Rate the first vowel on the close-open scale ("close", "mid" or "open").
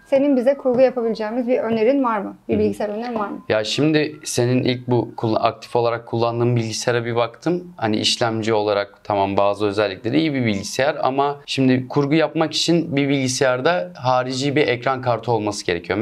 mid